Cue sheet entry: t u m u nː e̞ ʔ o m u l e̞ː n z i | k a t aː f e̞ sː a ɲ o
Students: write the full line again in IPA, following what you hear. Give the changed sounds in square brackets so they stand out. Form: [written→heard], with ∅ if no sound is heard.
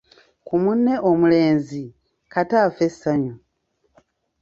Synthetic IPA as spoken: [t→k] u m u nː e̞ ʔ o m u l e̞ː n z i | k a t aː f e̞ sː a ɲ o